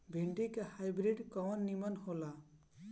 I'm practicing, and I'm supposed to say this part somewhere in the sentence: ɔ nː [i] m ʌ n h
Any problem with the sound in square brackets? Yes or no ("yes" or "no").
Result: no